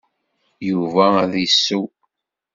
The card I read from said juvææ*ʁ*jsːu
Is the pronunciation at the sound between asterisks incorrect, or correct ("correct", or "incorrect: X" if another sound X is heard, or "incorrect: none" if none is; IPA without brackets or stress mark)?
incorrect: ð